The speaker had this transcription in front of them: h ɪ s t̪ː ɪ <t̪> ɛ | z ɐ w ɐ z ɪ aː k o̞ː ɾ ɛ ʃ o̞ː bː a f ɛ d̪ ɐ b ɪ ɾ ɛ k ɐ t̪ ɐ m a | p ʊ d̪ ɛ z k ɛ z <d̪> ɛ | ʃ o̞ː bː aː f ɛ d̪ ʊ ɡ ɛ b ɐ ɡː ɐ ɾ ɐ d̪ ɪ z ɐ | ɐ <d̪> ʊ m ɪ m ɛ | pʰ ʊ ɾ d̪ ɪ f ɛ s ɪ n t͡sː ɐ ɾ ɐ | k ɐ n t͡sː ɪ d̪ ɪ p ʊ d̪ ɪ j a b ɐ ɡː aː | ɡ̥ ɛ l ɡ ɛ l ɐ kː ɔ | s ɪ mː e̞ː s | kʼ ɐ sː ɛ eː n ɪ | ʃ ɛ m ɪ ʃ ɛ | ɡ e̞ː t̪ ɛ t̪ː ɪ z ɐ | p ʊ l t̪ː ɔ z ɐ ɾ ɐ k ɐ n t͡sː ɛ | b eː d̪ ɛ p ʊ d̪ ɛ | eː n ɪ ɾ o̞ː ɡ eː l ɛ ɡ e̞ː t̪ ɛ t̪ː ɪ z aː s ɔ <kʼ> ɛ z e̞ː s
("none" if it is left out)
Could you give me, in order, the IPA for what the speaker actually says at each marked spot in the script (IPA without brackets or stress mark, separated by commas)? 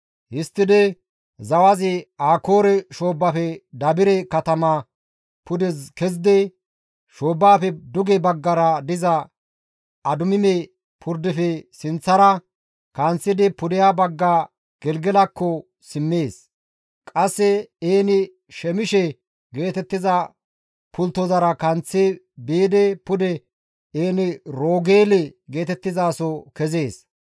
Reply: d̪, d̪, d̪, k